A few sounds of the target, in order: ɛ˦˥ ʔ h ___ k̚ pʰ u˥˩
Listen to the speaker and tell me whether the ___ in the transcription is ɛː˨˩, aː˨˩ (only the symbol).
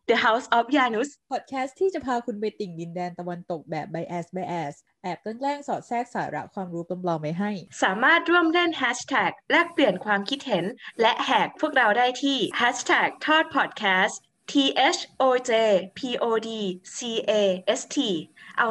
ɛː˨˩